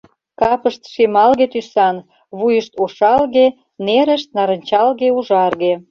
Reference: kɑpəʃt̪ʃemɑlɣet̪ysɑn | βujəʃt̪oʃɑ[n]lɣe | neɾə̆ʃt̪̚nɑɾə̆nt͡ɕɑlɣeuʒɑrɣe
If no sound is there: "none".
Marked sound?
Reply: none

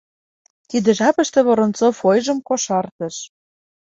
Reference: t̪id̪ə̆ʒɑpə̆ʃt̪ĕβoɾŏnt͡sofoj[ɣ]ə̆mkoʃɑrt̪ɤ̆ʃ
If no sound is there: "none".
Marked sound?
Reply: ʒ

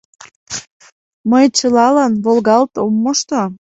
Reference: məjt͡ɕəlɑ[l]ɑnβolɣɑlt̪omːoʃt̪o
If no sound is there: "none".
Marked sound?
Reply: l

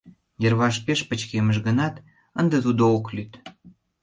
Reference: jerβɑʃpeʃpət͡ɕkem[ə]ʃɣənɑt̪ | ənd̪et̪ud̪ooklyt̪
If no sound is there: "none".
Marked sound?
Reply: ə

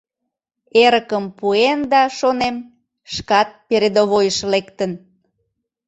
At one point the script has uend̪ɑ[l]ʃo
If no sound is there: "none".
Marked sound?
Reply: none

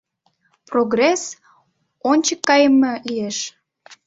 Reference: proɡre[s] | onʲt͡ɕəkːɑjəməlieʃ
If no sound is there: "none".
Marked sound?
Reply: s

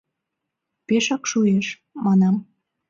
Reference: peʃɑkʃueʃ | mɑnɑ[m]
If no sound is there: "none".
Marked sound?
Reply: m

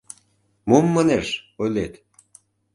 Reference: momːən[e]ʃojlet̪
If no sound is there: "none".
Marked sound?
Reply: e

